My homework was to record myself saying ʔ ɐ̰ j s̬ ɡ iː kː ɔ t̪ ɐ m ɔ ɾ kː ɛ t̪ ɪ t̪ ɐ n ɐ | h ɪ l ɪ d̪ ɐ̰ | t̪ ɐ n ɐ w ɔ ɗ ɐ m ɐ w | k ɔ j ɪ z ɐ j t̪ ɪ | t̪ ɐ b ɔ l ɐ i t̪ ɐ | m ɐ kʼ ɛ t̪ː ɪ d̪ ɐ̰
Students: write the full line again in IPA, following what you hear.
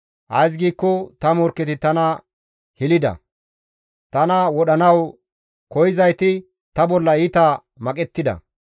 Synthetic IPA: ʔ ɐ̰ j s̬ ɡ iː kː ɔ t̪ ɐ m ɔ ɾ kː ɛ t̪ ɪ t̪ ɐ n ɐ | h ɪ l ɪ d̪ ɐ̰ | t̪ ɐ n ɐ w ɔ ɗ ɐ n ɐ w | k ɔ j ɪ z ɐ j t̪ ɪ | t̪ ɐ b ɔ lː ɐ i t̪ ɐ | m ɐ kʼ ɛ t̪ː ɪ d̪ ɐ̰

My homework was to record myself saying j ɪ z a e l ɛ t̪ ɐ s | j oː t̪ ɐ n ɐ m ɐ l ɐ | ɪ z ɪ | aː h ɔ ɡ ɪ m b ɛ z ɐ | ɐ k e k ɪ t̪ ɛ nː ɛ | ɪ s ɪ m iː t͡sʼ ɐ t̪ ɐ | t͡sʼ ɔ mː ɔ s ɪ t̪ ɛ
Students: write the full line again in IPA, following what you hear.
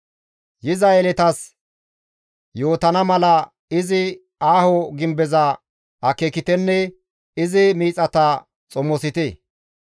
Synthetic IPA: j ɪ z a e l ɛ t̪ ɐ s | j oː t̪ ɐ n ɐ m ɐ l ɐ | ɪ z ɪ | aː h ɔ ɡ ɪ m b ɛ z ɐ | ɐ k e k ɪ t̪ ɛ nː ɛ | ɪ z ɪ m iː t͡sʼ ɐ t̪ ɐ | t͡sʼ ɔ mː ɔ s ɪ t̪ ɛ

